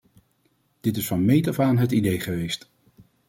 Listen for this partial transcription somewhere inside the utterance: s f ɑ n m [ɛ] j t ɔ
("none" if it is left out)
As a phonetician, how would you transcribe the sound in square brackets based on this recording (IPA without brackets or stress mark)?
e